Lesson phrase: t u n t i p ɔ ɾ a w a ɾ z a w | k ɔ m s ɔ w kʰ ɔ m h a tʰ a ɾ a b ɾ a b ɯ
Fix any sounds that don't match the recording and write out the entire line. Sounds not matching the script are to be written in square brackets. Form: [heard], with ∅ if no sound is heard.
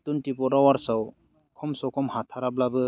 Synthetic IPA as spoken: t u n t i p ɔ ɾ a w a ɾ [s] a w | [kʰ] ɔ m s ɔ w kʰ ɔ m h a tʰ a ɾ a b [l] a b ɯ